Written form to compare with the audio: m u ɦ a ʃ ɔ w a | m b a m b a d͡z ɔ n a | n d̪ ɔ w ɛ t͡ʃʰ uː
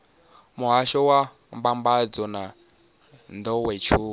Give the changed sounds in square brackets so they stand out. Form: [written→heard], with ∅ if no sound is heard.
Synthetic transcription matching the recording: m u ɦ a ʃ ɔ w a | m b a m b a d͡z ɔ n a | n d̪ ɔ w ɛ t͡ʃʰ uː